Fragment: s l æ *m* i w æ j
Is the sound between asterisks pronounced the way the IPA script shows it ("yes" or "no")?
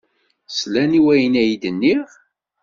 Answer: no